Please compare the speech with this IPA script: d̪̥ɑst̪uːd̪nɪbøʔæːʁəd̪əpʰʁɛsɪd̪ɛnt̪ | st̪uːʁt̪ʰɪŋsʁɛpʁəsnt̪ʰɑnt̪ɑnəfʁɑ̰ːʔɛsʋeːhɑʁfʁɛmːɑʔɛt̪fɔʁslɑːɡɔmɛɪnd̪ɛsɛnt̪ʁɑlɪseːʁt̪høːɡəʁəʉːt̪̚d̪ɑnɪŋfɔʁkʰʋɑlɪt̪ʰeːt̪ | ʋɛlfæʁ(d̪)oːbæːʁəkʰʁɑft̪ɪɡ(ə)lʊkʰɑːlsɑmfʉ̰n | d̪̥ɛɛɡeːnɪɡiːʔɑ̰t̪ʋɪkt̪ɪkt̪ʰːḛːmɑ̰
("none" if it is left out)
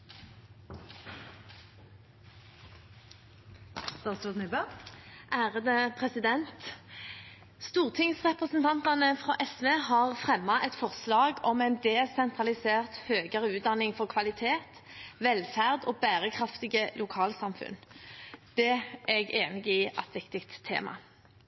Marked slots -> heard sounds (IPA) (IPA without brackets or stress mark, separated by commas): d̪, ə